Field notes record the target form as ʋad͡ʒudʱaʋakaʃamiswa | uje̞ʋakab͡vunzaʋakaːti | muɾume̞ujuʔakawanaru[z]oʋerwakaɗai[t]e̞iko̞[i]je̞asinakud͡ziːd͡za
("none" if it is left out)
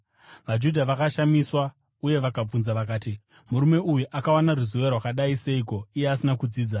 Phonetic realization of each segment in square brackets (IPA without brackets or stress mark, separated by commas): z, s, i